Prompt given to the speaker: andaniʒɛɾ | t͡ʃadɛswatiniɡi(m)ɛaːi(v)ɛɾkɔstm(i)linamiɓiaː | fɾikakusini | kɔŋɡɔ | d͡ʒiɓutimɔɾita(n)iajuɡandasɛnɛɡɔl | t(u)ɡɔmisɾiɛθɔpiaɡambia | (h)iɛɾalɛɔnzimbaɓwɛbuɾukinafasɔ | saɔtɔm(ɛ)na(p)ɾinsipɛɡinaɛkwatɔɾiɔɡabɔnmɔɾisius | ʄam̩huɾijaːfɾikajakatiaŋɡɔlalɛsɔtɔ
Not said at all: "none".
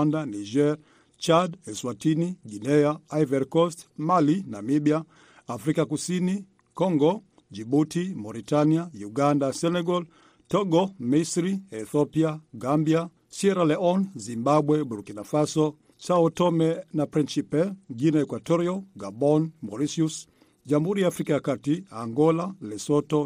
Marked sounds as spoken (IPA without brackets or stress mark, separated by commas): n, v, a, n, ɔ, s, ɛ, p